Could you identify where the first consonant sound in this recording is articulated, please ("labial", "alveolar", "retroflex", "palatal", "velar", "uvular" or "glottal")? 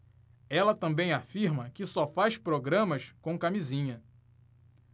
alveolar